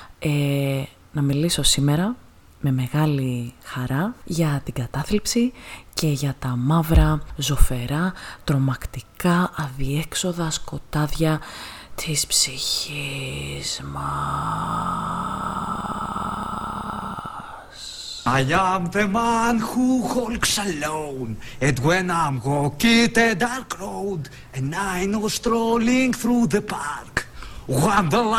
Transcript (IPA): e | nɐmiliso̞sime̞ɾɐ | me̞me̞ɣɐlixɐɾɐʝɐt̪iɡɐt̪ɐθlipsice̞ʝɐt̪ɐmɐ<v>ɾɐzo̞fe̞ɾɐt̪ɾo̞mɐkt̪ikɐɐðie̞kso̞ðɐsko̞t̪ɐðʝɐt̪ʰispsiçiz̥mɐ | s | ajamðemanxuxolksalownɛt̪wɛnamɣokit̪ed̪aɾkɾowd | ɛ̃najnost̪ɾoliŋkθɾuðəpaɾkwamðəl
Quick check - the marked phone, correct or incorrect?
correct